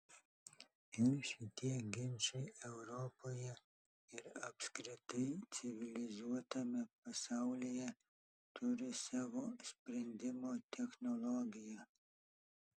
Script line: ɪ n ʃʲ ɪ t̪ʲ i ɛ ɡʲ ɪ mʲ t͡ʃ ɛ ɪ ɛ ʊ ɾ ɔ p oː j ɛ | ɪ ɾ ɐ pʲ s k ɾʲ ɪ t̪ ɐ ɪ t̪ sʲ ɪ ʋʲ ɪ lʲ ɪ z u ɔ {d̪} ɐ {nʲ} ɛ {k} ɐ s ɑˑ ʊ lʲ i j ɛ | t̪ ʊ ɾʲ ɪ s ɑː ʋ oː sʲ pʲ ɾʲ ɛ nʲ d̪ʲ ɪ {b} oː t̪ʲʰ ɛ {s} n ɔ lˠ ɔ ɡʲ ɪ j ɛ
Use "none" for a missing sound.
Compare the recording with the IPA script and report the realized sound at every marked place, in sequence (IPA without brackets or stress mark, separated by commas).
t̪, mʲ, p, m, x